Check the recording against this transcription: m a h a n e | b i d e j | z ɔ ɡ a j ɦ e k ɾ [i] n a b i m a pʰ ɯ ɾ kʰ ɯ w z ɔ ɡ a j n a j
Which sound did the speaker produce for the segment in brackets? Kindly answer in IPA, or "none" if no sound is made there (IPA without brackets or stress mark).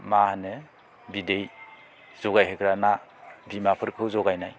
a